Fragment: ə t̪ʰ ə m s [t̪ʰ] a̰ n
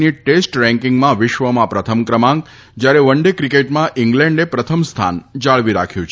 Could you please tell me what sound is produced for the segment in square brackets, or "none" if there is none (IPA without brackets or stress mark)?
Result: t̪ʰ